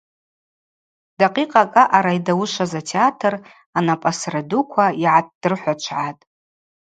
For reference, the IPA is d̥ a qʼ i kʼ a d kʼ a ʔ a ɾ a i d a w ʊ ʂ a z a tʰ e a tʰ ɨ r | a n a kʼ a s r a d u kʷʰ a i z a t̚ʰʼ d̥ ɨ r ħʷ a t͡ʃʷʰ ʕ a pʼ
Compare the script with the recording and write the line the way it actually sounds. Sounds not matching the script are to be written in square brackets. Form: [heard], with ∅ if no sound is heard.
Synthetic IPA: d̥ a qʼ i [qʼ] a [∅] kʼ a ʔ a ɾ a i d a w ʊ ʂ a z a tʰ e a tʰ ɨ r | a n a [pʼ] a s r a d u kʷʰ a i [ʕ] a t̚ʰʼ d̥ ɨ r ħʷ a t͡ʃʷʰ ʕ a [tʼ]